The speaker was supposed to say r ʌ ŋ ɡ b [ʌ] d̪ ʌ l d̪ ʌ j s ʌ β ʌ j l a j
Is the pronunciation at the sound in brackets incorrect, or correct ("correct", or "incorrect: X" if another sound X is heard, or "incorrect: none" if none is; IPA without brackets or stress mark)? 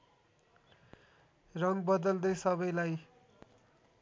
correct